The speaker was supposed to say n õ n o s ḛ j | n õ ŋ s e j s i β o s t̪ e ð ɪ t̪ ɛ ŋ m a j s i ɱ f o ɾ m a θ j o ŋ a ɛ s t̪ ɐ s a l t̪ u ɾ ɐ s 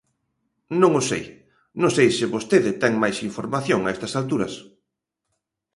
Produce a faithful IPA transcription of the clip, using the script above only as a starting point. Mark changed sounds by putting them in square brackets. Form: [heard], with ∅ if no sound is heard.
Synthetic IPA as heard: n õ [ŋ] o s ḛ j | n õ ŋ s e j s [ɪ] β o s t̪ e ð ɪ t̪ ɛ ŋ m a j s i ɱ f o ɾ m a θ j o ŋ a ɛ s t̪ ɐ s a l t̪ u ɾ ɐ s

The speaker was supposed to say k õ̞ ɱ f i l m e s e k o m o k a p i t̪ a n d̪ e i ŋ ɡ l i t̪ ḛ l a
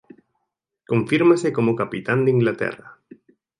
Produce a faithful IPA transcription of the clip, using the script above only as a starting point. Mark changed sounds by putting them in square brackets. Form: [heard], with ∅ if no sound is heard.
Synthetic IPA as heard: k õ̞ ɱ f i [ɾ] m [a] s e k o m o k a p i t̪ a n d̪ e i ŋ ɡ l [a] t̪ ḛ [r] a

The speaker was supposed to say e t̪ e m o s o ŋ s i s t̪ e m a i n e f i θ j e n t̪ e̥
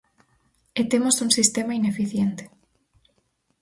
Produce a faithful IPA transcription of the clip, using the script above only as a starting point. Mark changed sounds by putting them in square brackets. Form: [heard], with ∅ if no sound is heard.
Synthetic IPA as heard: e t̪ e m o s [u] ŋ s i s t̪ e m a i n e f i θ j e n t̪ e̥

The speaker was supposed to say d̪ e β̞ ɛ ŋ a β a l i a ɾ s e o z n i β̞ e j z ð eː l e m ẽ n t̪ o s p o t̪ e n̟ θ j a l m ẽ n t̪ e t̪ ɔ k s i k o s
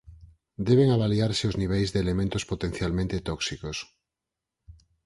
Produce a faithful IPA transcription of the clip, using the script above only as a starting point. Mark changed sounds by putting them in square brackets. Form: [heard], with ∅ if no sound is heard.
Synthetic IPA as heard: d̪ e β̞ [e] ŋ a β a l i a ɾ s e o z n i β̞ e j z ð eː l e m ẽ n t̪ o s p o t̪ e n̟ θ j a l m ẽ n t̪ e t̪ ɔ k s i k o s

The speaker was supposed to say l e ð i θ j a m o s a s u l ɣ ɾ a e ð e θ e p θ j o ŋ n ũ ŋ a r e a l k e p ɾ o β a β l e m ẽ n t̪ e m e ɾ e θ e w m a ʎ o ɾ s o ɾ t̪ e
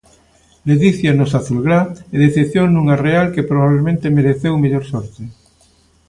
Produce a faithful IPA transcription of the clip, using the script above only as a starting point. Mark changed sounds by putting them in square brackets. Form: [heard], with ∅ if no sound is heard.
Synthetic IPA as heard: l e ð i θ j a [n] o s a [θ] u l ɣ ɾ a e ð e θ e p θ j o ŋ n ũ ŋ a r e a l k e p ɾ o β a β l e m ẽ n t̪ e m e ɾ e θ e w m [e] ʎ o ɾ s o ɾ t̪ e

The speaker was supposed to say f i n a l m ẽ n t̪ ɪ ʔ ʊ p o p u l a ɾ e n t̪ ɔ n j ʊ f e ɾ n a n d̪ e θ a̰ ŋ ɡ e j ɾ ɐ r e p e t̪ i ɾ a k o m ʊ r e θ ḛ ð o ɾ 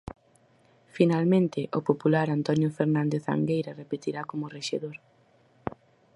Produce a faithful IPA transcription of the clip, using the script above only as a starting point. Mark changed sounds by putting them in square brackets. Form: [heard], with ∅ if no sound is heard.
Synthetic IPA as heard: f i n a l m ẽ n t̪ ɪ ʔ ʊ p o p u l a ɾ [a] n t̪ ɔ n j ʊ f e ɾ n a n d̪ e θ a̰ ŋ ɡ e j ɾ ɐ r e p e t̪ i ɾ a k o m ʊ r e [ʃ] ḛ ð o ɾ

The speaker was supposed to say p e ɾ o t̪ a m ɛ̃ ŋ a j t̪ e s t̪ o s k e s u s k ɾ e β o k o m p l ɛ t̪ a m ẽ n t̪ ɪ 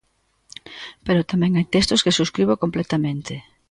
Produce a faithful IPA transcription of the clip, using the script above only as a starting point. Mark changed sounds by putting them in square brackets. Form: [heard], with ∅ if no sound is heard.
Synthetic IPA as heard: p e ɾ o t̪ a m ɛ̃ ŋ a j t̪ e s t̪ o s k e s u s k ɾ [i] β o k o m p l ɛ t̪ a m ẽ n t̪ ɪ

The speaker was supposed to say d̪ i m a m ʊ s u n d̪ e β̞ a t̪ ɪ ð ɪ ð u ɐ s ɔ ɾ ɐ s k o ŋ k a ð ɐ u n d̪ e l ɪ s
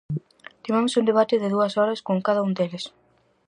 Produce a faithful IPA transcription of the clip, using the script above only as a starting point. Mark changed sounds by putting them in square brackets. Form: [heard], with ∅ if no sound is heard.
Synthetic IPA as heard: [t̪] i m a m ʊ s u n d̪ e β̞ a t̪ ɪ ð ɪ ð u ɐ s ɔ ɾ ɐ s k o ŋ k a ð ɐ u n d̪ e l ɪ s

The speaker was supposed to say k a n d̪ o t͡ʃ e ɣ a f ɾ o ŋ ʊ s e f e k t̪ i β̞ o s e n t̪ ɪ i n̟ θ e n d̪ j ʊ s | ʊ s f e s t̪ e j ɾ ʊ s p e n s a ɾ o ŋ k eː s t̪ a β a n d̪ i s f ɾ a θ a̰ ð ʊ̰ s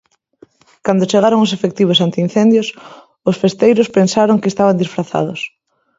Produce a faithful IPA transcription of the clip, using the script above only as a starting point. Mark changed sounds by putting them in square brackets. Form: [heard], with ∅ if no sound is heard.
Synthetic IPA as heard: k a n d̪ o t͡ʃ e ɣ a [∅] ɾ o ŋ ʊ s e f e k t̪ i β̞ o s [a] n t̪ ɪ i n̟ θ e n d̪ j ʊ s | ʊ s f e s t̪ e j ɾ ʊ s p e n s a ɾ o ŋ k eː s t̪ a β a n d̪ i s f ɾ a θ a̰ ð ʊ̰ s

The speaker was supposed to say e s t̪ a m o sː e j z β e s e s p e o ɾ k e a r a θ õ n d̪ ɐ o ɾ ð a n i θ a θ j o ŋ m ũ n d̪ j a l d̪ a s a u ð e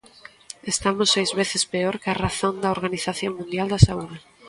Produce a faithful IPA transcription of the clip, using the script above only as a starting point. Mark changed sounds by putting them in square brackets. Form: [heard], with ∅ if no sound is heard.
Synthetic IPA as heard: e s t̪ a m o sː e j z β e [θ] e s p e o ɾ k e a r a θ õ n d̪ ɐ o ɾ [ɣ] a n i θ a θ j o ŋ m ũ n d̪ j a l d̪ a s a u ð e

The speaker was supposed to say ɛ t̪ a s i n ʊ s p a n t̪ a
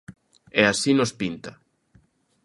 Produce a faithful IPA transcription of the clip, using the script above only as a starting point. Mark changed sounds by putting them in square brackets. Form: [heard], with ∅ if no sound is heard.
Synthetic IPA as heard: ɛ [∅] a s i n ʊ s p [i] n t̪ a

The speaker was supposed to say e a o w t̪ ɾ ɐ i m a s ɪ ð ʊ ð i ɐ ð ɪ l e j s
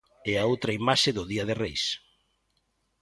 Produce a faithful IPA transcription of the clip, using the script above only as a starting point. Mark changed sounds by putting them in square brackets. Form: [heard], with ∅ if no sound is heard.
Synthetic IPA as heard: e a o w t̪ ɾ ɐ i m a [ʃ] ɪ ð ʊ ð i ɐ ð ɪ [r] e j s

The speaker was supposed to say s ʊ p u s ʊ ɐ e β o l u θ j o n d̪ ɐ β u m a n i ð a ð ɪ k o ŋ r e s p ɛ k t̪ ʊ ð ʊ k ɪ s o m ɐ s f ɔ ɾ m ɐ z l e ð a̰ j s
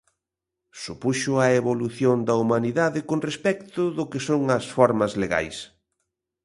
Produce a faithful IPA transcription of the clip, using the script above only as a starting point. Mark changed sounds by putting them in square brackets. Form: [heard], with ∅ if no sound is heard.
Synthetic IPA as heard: s [u] p u [ʃ] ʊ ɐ e β o l u θ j o n d̪ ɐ [∅] u m a n i ð a ð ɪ k o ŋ r e s p ɛ k t̪ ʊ ð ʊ k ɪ s o [ŋ] ɐ s f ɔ ɾ m ɐ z l e [ɣ] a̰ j s

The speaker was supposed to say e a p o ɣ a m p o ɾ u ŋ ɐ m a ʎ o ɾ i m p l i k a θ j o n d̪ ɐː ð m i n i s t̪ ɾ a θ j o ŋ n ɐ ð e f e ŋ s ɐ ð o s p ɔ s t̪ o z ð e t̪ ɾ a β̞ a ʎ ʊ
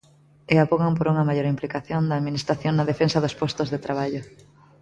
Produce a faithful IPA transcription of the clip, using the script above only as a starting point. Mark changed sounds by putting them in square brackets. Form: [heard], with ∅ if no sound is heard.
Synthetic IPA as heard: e a p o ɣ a m p o ɾ u ŋ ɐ m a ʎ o ɾ i m p l i k a θ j o n d̪ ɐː ð m i n i s t̪ ɾ a θ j o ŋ n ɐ ð e f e [n] s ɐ ð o s p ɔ s t̪ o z ð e t̪ ɾ a β̞ a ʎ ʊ

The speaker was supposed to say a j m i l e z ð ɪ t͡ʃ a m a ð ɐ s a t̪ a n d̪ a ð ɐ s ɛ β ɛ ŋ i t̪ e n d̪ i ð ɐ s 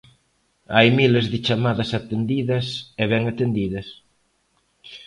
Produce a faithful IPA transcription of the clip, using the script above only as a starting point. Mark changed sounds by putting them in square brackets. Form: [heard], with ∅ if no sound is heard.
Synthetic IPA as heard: a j m i l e z ð ɪ t͡ʃ a m a ð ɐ s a t̪ [e] n d̪ [i] ð ɐ s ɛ β ɛ ŋ [a] t̪ e n d̪ i ð ɐ s

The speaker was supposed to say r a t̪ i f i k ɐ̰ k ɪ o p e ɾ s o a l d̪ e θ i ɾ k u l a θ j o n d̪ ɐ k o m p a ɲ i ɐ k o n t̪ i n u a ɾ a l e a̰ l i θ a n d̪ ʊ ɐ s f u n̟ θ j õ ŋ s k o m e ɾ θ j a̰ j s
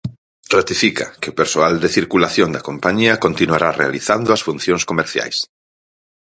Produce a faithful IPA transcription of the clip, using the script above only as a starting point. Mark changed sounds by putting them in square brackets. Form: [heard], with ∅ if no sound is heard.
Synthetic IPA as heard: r a t̪ i f i k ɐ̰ k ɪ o p e ɾ s o a l d̪ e θ i ɾ k u l a θ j o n d̪ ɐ k o m p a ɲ i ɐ k o n t̪ i n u a ɾ a [r] e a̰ l i θ a n d̪ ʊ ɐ s f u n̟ θ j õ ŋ s k o m e ɾ θ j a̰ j s

